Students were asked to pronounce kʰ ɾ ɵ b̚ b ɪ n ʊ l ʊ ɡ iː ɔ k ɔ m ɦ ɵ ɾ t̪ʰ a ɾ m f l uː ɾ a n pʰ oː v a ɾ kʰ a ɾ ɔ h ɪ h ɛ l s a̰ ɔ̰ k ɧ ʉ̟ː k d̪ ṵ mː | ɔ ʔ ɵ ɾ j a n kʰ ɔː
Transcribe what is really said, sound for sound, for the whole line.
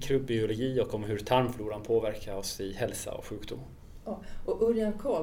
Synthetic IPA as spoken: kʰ ɾ ɵ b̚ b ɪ ʊ l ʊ ɡ iː ɔ k ɔ m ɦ ɵ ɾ t̪ʰ a ɾ m f l uː ɾ a n pʰ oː v æ ɾ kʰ a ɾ ɔ s ɪ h ɛ l s a̰ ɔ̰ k ɧ ʉ̟ː k d̪ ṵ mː | ɔ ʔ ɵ ɾ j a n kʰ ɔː